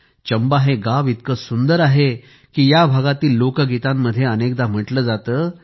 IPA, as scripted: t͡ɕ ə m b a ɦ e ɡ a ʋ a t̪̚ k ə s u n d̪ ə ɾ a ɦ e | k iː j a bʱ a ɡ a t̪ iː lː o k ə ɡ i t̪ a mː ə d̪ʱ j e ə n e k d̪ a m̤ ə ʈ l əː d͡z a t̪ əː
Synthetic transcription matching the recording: t͡ɕ ə m b a ɦ e ɡ a ʋ i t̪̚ k ə s u n d̪ ə ɾ a ɦ e | k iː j a bʱ a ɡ a t̪ iː lː o k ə ɡ i t̪ a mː ə d̪ʱ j e ə n e k d̪ a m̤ ə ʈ l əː d͡z a t̪ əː